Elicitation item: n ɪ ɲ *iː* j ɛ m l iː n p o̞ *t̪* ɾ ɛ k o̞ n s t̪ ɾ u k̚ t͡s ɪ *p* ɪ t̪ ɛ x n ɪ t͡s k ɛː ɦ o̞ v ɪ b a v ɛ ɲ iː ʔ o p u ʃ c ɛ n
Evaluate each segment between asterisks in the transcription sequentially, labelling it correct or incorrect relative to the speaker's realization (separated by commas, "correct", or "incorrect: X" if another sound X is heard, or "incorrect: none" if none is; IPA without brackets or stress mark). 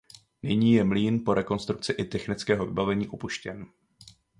correct, incorrect: none, incorrect: ʔ